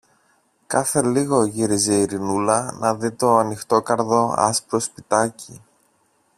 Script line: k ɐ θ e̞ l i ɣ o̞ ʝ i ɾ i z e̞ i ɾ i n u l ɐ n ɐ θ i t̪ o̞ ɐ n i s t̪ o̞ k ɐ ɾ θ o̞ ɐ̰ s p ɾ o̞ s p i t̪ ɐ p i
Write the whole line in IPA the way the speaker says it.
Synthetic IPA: k ɐ θ e̞ l i ɣ o̞ ʝ i ɾ i z e̞ i ɾ i n u l ɐ n ɐ ð i t̪ o̞ ɐ n i x t̪ o̞ k ɐ ɾ ð o̞ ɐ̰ s p ɾ o̞ s p i t̪ ɐ c i